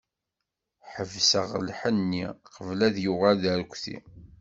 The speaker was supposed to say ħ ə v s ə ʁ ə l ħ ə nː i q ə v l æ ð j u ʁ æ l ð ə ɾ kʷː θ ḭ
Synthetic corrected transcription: ħ ə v s ə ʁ ə l ħ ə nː i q ə v l æ ð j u ʁ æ l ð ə ɾ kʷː θ ḭ

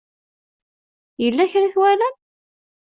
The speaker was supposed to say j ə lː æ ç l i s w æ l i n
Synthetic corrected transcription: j ə lː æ ç ɾ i θ w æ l æ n

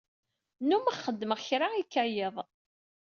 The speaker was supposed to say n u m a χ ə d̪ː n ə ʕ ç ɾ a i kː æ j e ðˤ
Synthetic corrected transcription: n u m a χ ə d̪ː m ə ʁ ç ɾ a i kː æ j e ðˤ

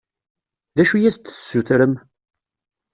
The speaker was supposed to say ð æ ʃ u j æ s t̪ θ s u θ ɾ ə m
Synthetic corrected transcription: ð æ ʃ u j æ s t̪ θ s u θ ɾ ə m

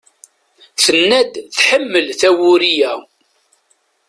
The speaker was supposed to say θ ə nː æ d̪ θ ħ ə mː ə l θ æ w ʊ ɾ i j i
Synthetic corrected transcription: θ ə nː æ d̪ θ ħ ə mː ə l θ æ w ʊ ɾ i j æ

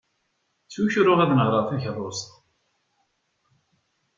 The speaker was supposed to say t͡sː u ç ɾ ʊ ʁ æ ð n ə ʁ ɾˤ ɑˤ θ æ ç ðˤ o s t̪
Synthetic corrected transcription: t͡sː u ç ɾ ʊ ʁ æ ð n ə ʁ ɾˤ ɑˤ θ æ ç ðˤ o s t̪

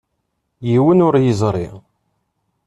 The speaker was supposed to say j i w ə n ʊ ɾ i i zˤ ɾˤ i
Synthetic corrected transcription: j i w ə n ʊ ɾ j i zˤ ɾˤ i

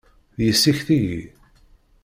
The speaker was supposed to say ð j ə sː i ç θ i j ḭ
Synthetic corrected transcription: ð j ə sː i ç θ i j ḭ

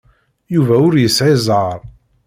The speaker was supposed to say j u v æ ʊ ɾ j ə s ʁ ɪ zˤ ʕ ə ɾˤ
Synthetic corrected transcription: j u v æ ʊ ɾ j ə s ʕ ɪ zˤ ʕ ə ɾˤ

